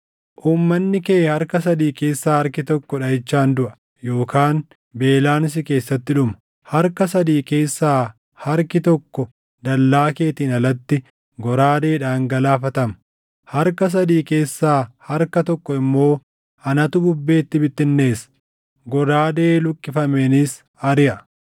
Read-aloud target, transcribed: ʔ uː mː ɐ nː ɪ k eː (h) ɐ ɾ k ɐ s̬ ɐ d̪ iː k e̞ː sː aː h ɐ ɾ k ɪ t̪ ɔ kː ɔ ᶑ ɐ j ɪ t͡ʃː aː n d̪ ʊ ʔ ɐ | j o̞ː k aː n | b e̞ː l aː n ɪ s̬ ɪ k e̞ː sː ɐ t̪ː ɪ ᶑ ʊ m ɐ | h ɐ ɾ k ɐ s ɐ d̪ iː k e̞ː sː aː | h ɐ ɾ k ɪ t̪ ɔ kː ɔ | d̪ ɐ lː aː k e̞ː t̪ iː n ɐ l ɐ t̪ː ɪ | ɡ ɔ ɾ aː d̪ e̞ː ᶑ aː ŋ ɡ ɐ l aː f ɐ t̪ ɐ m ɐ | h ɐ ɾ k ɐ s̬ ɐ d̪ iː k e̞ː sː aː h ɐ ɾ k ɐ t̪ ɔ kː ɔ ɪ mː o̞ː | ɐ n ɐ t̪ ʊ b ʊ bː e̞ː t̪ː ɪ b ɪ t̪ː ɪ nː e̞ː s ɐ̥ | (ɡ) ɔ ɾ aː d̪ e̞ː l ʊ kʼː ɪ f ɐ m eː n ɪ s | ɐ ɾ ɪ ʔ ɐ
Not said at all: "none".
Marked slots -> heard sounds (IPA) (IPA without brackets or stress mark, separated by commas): h, ɡ